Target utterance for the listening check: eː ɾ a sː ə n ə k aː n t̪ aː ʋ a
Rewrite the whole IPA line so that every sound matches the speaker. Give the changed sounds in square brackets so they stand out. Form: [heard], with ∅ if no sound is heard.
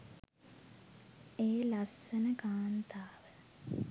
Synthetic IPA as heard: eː [l] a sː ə n ə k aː n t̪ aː ʋ [ə]